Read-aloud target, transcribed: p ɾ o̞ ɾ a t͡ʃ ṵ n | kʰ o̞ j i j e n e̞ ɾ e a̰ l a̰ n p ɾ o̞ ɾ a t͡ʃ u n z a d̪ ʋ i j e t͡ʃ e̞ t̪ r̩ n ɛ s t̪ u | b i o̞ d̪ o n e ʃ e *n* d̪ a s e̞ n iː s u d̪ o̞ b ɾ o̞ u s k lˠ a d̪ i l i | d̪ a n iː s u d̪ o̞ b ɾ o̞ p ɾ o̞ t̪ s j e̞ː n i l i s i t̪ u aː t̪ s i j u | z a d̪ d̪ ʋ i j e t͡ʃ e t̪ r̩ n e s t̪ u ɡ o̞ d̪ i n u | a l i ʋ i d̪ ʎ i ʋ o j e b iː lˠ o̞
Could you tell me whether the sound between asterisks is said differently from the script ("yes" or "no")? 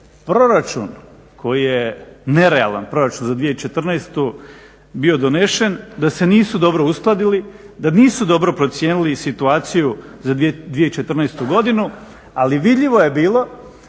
no